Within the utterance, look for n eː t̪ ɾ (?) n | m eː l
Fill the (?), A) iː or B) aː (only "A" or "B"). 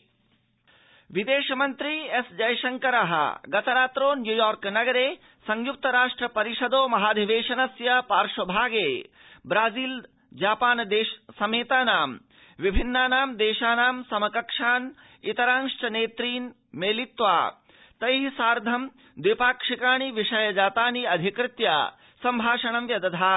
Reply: A